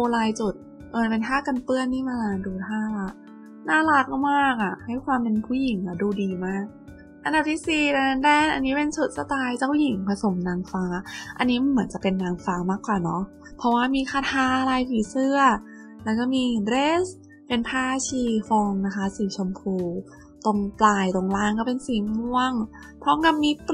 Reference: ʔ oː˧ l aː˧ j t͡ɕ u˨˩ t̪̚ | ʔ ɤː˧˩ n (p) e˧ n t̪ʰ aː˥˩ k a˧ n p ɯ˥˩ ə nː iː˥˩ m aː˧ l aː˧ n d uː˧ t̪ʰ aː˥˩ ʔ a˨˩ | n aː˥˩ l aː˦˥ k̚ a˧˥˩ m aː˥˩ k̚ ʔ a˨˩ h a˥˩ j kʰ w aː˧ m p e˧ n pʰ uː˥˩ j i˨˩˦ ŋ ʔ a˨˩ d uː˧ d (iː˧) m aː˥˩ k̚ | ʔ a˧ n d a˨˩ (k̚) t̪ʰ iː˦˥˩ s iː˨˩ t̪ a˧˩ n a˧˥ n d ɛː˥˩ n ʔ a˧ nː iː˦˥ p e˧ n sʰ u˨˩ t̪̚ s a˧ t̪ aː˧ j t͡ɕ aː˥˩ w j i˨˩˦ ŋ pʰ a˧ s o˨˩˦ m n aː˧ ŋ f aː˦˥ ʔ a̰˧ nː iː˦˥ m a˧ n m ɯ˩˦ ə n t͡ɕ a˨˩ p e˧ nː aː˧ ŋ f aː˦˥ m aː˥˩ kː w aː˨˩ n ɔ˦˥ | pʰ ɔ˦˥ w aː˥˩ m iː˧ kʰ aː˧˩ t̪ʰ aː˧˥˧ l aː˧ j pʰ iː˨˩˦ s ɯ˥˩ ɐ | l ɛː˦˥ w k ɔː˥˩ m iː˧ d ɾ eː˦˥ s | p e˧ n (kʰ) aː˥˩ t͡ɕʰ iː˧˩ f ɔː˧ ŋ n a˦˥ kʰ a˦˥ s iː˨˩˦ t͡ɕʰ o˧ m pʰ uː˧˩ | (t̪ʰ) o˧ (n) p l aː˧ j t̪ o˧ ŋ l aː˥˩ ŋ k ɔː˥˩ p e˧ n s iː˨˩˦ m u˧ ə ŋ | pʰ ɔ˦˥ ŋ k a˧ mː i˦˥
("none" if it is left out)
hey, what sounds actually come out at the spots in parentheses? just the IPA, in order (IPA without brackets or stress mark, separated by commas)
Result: p, iː˧, p̚, pʰ, t̪, ŋ